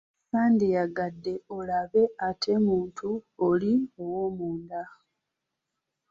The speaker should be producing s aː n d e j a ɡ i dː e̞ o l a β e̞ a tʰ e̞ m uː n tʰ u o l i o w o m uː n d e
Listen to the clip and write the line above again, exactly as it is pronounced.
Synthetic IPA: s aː n d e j a ɡ a dː e̞ o l a β e̞ a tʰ e̞ m uː n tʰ u o l i o w o m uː n d a